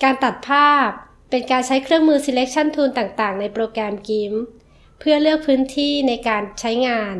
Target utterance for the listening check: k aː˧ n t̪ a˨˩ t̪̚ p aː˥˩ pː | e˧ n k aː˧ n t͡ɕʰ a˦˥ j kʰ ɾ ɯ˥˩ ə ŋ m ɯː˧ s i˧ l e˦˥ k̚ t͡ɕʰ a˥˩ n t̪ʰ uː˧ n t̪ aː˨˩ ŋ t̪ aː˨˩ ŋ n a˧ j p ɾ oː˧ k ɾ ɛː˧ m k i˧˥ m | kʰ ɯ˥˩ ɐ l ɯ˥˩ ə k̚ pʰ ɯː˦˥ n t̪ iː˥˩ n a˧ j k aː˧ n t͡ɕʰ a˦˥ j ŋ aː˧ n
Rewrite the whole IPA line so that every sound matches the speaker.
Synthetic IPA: k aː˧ n t̪ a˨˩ t̪̚ pʰ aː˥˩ pː | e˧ n k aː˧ n t͡ɕʰ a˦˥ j kʰ ɾ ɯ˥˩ ə ŋ m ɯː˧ s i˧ l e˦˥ k̚ t͡ɕʰ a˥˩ n t̪ʰ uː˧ n t̪ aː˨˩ ŋ t̪ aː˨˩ ŋ n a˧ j p ɾ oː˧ k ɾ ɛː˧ m k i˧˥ m | pʰ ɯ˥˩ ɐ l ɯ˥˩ ə k̚ pʰ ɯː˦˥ n t̪ʰ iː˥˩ n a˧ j k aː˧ n t͡ɕʰ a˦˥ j ŋ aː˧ n